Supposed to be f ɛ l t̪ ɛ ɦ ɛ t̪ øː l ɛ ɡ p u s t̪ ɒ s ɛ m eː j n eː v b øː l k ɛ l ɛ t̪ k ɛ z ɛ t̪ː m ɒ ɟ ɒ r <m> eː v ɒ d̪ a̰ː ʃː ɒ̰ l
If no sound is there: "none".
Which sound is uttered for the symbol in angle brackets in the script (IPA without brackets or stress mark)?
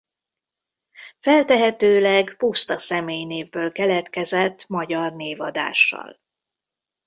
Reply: n